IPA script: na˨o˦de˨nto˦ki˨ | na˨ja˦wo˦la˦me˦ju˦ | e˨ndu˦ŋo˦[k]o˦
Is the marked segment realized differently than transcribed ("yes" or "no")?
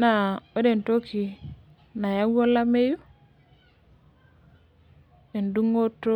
yes